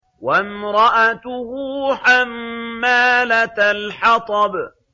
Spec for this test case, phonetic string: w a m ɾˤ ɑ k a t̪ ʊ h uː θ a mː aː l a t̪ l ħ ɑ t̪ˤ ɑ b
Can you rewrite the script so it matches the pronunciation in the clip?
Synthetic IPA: w a m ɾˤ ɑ ʔ a t̪ ʊ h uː ħ a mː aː l a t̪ l ħ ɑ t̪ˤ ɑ b